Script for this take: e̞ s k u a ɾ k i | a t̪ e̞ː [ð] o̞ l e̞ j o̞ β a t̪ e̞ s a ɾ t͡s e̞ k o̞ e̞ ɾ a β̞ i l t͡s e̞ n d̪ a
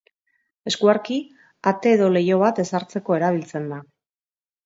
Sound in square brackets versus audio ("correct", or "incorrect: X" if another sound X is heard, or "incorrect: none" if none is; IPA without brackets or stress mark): correct